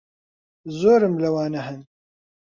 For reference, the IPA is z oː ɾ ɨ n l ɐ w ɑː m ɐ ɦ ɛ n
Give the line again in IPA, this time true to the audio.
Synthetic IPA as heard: z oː ɾ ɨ m l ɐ w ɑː n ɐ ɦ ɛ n